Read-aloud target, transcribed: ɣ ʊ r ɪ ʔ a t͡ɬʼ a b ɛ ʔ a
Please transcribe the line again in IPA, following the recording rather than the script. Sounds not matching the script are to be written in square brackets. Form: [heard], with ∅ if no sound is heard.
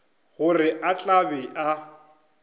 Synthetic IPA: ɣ ʊ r ɪ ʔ a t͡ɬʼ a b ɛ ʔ a

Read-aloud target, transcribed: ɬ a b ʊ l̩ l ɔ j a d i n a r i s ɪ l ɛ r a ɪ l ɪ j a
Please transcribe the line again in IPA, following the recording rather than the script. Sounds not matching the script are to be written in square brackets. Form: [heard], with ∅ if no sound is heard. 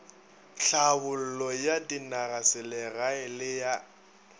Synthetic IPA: ɬ a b ʊ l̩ l ɔ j a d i n a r [a] s ɪ l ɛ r a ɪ l ɪ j a

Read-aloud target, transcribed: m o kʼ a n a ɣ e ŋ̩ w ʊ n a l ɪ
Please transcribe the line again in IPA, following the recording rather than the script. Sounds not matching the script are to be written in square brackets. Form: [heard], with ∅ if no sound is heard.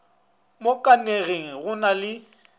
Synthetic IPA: m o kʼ a n [e] ɣ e ŋ̩ [ɣ] ʊ n a l ɪ

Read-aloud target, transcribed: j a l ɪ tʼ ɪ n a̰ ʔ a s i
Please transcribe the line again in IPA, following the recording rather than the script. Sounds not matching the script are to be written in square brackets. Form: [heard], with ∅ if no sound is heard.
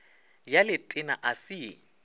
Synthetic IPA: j a l ɪ tʼ ɪ n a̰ ʔ a s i

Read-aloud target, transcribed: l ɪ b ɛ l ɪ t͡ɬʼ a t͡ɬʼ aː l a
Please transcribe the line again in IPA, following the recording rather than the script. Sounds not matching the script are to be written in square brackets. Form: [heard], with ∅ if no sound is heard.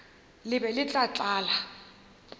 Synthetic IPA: l ɪ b ɛ l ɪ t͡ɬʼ a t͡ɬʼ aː l a

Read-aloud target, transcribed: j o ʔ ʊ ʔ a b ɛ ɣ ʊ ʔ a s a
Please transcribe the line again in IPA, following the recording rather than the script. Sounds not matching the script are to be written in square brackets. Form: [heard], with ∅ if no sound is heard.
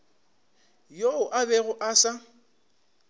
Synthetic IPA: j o [∅] ʊ ʔ a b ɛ ɣ ʊ ʔ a s a

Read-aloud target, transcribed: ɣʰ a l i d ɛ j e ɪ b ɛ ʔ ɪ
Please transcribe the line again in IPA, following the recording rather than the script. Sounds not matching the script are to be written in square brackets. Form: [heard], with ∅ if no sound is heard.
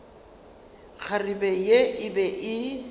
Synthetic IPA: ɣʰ a [r] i [b] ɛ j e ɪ b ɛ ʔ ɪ

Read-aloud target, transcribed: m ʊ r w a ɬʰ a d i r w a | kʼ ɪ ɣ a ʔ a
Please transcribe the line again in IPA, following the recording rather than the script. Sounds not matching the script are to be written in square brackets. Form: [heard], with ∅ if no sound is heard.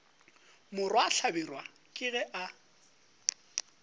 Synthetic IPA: m ʊ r w a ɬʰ a [b] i r w a | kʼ ɪ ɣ [ɛ] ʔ a

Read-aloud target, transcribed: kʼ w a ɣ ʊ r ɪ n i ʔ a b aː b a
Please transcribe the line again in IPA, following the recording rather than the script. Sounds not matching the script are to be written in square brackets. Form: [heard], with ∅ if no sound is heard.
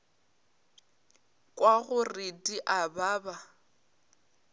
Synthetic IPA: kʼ w a ɣ ʊ r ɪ [d] i ʔ a b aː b a

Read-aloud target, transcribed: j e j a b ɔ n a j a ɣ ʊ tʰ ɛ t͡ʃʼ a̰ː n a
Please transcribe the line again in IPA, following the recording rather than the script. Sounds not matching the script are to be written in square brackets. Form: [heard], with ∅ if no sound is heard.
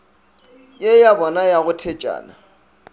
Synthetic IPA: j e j a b ɔ n a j a ɣ ʊ tʰ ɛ t͡ʃʼ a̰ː n a

